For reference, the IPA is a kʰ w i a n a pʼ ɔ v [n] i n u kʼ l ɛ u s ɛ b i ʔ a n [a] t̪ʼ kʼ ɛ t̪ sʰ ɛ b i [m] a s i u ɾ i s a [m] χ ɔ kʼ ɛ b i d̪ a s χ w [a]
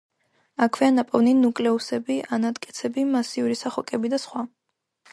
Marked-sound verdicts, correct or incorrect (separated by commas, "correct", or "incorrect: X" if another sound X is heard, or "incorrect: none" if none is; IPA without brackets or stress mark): correct, correct, correct, incorrect: none, correct